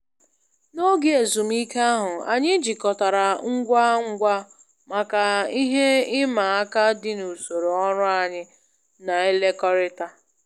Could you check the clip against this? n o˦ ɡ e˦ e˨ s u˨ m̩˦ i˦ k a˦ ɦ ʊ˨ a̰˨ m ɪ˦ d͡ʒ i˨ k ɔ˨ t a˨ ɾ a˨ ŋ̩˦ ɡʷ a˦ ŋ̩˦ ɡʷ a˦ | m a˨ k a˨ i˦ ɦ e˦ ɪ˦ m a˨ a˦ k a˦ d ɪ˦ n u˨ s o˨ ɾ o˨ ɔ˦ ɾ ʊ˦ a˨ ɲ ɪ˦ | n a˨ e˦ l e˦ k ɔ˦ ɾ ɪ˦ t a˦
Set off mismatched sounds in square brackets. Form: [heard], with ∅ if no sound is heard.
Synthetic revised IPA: n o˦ ɡ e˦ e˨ [z] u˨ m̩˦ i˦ k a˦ ɦ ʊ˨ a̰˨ [ɲ] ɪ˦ d͡ʒ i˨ k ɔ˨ t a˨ ɾ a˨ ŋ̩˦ ɡʷ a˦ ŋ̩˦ ɡʷ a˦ | m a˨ k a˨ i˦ ɦ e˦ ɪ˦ m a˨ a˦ k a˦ d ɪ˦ n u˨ s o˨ ɾ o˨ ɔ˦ ɾ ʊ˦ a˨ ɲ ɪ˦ | n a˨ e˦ l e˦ k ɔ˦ ɾ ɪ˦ t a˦